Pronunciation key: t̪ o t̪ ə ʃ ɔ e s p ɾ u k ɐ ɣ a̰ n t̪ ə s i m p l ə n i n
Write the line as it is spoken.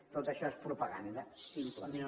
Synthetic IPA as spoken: t̪ o t̪ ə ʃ ɔ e s p ɾ u p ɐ ɣ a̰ n d̪ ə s i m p l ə m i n